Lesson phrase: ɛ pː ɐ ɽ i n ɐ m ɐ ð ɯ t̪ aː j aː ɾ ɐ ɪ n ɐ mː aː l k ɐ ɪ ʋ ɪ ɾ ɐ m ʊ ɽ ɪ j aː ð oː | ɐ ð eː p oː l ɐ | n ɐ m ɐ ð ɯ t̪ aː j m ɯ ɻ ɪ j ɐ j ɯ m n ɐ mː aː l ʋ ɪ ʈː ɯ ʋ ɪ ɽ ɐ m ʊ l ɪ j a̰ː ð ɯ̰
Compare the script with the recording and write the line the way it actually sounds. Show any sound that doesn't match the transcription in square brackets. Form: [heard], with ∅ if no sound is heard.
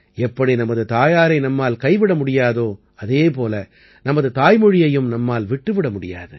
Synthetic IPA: ɛ pː ɐ ɽ i n ɐ m ɐ ð ɯ t̪ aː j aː ɾ ɐ ɪ n ɐ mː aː l k ɐ ɪ ʋ ɪ [ɽ] ɐ m ʊ ɽ ɪ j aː ð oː | ɐ ð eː p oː l ɐ | n ɐ m ɐ ð ɯ t̪ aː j m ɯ ɻ ɪ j ɐ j ɯ m n ɐ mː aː l ʋ ɪ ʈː ɯ ʋ ɪ ɽ ɐ m ʊ [ɽ] ɪ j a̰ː ð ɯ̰